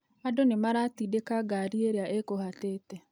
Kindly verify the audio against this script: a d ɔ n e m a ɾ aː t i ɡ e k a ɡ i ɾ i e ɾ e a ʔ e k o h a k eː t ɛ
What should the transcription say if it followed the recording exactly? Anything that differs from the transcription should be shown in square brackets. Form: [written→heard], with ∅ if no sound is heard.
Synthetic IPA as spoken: a d [ɔ→o] n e m a ɾ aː t i [ɡ→d] e k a ɡ [i→a] ɾ i e ɾ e a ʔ e k o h a [k→t] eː t ɛ